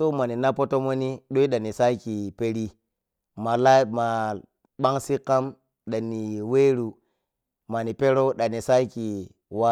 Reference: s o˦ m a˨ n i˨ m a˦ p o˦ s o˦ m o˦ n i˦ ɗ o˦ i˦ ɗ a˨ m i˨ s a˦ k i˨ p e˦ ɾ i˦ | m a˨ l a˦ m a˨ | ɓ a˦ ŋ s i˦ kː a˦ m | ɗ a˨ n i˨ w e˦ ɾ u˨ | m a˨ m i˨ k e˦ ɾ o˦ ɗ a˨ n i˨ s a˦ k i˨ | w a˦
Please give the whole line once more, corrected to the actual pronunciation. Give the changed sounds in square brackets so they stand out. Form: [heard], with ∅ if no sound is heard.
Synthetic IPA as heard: s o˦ m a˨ n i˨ [n] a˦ p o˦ [t] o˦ m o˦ n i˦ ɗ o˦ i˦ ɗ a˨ [n] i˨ s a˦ k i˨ p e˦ ɾ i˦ | m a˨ l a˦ m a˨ | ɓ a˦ ŋ s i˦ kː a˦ m | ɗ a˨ n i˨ w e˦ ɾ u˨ | m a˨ [n] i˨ [p] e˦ ɾ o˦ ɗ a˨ n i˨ s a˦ k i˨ | w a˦